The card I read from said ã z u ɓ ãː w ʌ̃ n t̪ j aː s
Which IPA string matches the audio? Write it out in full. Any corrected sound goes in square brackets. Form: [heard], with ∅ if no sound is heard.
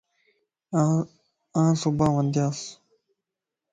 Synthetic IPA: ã [s] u [b] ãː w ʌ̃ n [d̪] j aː s